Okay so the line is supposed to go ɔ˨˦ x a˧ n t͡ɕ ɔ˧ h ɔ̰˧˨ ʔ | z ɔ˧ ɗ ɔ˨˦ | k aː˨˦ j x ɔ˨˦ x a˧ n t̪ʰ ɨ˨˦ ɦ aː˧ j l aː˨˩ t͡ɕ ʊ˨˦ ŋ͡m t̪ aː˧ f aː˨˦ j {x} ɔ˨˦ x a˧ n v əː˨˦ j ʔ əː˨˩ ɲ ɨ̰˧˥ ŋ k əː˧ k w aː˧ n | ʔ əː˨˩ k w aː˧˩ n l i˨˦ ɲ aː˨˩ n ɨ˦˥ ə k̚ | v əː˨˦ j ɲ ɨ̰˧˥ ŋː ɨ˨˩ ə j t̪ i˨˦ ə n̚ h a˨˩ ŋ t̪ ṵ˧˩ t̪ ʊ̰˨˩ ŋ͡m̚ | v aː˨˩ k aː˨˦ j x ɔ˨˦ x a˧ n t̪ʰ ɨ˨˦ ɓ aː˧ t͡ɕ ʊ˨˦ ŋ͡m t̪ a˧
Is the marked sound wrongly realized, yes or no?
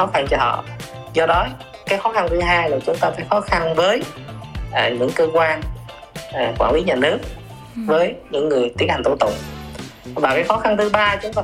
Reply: no